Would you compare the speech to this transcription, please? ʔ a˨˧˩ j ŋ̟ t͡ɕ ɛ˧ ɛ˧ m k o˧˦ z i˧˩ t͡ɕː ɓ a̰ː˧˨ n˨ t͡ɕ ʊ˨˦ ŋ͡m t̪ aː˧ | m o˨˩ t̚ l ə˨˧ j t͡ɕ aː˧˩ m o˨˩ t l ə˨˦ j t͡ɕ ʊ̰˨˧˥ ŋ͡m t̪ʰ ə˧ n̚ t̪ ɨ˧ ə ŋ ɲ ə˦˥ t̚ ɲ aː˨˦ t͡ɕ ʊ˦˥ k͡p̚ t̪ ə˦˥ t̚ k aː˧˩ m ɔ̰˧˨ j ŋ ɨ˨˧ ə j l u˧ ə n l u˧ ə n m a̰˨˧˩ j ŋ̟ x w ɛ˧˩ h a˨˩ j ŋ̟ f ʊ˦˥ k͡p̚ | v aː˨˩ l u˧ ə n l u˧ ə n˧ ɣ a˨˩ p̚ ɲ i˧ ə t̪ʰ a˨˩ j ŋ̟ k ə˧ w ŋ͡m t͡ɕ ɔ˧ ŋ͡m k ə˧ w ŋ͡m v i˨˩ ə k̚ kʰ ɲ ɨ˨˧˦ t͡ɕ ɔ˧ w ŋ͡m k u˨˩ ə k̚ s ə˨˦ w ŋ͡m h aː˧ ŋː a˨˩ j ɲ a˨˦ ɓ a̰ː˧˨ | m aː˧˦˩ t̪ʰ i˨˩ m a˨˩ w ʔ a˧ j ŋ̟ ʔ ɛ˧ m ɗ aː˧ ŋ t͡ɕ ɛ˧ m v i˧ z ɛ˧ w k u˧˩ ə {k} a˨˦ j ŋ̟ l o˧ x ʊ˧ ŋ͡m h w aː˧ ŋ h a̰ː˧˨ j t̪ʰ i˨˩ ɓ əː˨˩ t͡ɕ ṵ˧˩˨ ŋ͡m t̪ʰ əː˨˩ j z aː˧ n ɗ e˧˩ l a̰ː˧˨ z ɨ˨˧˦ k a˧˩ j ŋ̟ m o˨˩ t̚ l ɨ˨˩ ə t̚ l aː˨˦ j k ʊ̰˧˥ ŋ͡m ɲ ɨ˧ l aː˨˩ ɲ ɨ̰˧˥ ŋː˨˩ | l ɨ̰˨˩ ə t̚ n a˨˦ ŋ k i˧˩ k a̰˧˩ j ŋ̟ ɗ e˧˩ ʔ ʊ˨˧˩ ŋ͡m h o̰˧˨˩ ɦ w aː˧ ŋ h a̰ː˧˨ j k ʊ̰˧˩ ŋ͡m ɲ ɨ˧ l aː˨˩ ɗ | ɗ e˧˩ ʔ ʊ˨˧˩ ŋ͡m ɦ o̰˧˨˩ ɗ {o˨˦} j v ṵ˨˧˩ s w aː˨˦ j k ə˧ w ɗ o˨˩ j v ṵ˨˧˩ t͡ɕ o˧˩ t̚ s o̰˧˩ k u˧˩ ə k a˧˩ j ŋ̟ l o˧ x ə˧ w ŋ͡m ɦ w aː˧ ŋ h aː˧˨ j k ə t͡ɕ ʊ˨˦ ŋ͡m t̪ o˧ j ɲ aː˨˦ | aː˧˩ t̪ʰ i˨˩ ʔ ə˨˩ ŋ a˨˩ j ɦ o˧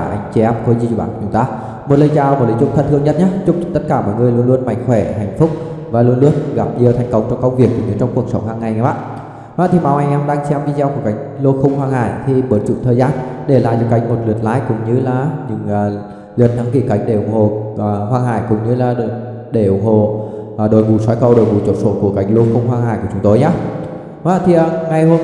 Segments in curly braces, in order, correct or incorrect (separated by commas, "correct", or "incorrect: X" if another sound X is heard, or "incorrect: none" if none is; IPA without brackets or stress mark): correct, incorrect: o˨˩